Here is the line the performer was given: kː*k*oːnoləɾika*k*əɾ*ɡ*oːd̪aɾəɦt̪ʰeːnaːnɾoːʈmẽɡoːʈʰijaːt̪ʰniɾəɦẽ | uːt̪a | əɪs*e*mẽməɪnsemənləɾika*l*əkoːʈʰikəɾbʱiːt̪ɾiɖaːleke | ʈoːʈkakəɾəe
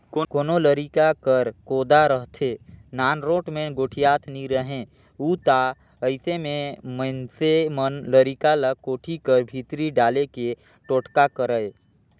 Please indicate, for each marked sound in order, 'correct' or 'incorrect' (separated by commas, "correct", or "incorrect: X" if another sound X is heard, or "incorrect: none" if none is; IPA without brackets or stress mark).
correct, correct, incorrect: k, correct, correct